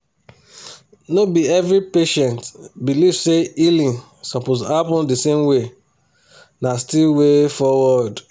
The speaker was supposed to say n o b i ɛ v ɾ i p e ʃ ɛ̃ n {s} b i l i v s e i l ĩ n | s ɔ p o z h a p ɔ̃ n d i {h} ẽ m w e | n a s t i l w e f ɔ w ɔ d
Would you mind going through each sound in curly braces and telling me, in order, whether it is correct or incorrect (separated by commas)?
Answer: incorrect, incorrect